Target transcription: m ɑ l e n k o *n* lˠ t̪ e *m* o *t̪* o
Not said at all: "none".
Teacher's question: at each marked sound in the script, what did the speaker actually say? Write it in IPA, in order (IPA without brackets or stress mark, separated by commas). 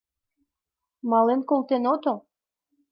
none, n, t̪